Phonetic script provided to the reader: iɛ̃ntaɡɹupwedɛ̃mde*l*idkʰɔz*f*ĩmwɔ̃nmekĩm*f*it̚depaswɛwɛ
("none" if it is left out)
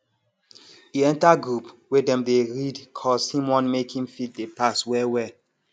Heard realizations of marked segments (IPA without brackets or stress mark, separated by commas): ɹ, h, f